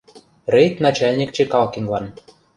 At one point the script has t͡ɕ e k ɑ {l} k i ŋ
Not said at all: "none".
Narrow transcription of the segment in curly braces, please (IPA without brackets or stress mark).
l